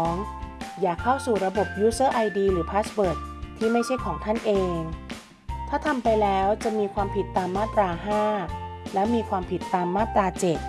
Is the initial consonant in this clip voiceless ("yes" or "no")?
no